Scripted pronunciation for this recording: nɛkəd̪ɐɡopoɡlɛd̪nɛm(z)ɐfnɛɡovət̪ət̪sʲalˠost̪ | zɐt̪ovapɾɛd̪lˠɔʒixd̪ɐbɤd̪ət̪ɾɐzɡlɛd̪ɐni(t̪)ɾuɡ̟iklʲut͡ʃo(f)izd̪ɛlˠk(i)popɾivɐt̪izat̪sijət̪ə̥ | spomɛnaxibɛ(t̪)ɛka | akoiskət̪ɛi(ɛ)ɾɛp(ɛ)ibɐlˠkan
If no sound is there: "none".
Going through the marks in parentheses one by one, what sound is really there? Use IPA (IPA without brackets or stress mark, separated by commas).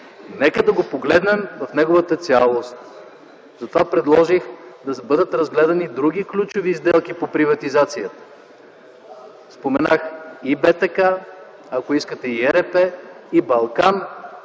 v, d̪, v, i, t̪, ɛ, ɛ